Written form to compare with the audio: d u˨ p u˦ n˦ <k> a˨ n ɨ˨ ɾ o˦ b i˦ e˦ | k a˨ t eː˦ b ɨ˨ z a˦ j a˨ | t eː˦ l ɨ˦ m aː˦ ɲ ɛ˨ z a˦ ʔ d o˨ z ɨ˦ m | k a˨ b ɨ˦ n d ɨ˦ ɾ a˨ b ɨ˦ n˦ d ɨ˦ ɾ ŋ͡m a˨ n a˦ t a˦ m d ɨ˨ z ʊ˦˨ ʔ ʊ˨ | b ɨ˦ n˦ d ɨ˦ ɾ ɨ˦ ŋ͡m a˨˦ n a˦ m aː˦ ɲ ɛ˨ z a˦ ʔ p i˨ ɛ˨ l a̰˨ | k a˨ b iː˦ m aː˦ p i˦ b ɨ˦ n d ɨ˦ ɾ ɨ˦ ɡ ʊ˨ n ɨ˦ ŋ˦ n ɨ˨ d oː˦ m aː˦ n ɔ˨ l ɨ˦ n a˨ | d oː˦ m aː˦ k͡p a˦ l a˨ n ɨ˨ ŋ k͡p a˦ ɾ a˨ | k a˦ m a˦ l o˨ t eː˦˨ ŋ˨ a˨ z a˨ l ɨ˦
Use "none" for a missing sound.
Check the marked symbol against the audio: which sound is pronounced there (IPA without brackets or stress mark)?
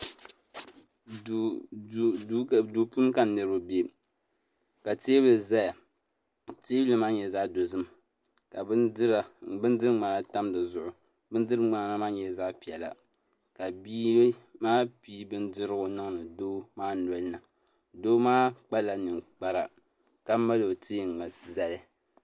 k